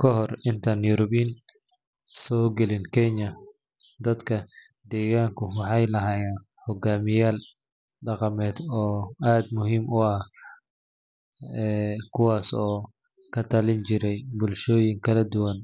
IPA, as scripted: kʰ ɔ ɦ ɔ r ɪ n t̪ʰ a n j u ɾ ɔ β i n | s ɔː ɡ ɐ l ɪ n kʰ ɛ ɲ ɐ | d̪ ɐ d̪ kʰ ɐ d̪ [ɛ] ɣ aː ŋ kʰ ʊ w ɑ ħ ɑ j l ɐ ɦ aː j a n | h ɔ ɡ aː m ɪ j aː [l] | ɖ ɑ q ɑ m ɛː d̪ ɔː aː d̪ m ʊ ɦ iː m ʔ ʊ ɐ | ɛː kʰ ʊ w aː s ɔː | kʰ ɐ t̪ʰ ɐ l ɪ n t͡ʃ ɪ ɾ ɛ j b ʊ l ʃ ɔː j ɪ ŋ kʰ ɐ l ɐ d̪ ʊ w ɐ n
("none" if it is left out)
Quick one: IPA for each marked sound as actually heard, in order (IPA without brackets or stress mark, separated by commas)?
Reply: ɛː, l